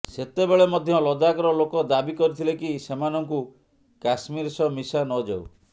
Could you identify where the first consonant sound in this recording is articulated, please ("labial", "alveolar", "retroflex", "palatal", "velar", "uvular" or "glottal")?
alveolar